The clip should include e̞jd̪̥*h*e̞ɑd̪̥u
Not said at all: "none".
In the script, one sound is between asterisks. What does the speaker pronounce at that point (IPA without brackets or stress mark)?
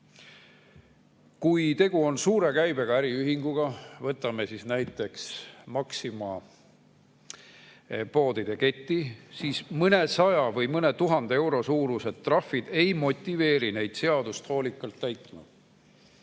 s